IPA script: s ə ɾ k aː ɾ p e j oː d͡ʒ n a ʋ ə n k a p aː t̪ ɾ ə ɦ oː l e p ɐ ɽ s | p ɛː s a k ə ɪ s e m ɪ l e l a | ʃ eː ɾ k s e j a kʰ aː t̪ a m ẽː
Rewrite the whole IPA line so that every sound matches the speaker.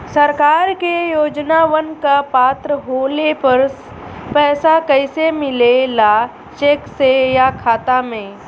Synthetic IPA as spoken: s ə ɾ k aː ɾ k e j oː d͡ʒ n a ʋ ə n k a p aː t̪ ɾ ə ɦ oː l e p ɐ ɾ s | p ɛː s a k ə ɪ s e m ɪ l e l a | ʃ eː k s e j a kʰ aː t̪ a m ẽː